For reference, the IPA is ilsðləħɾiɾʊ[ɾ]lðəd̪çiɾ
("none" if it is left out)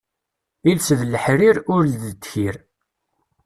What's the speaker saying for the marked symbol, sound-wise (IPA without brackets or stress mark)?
ɾ